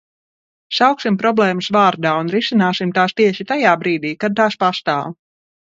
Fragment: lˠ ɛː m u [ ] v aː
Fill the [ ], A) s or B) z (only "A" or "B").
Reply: A